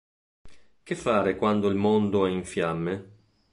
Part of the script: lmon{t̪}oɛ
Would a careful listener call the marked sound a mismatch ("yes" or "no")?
yes